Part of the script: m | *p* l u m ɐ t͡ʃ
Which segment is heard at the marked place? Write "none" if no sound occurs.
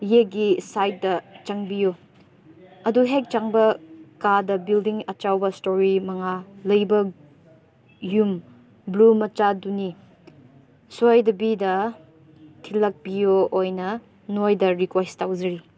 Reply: b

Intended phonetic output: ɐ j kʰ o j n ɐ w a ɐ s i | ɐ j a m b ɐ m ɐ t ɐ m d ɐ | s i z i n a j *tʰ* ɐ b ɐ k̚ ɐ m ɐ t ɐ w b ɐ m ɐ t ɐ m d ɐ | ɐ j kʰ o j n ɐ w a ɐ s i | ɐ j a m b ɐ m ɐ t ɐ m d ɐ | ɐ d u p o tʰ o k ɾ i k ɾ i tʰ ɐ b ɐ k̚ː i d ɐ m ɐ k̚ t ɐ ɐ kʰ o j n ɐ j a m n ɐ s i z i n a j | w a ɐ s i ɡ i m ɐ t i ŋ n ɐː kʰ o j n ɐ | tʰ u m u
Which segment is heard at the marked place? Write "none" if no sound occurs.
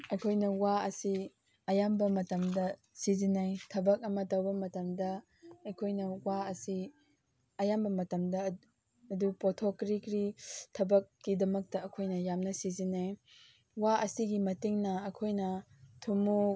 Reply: tʰ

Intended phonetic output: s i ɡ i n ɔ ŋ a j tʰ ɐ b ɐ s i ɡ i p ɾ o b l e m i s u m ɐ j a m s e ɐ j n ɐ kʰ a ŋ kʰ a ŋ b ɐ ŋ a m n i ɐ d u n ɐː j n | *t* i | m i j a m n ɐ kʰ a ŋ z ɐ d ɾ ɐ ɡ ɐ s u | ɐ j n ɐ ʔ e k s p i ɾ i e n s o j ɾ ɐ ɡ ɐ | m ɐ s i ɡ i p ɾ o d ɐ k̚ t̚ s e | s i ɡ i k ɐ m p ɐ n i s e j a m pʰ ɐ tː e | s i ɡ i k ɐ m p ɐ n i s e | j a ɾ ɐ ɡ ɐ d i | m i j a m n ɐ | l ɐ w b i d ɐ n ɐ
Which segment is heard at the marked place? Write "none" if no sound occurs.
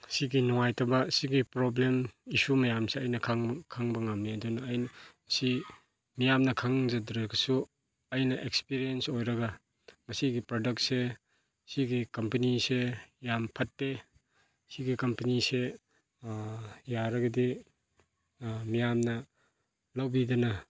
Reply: s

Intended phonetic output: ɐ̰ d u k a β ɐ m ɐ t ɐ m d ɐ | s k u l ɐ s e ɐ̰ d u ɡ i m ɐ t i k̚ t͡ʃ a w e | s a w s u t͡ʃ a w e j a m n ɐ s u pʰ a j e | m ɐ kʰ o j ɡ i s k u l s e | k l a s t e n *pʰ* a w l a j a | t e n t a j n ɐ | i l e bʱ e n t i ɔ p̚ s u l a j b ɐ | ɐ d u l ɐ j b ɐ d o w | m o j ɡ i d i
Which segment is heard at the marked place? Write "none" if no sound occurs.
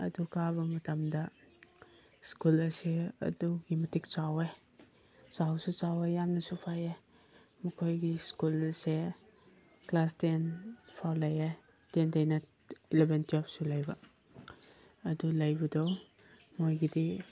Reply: pʰ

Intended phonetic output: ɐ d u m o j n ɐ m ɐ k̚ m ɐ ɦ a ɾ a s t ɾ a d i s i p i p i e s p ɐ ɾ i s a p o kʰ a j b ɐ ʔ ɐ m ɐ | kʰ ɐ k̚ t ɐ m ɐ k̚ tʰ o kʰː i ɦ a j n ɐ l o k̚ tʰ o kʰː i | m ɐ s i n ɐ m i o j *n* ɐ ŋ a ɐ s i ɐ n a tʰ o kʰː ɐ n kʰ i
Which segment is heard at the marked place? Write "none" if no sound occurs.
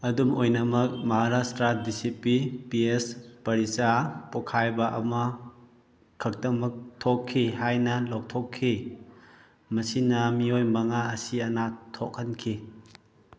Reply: m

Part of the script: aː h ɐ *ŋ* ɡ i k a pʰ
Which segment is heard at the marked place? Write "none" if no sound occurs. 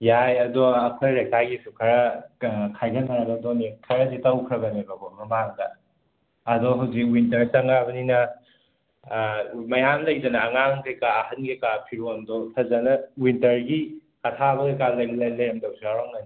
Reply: n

